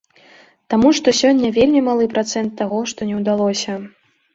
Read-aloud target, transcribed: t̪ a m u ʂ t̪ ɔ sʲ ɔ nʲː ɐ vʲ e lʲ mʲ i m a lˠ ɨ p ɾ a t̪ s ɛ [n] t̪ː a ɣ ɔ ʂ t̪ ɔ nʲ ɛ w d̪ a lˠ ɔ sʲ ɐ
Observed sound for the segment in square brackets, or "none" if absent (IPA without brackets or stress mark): n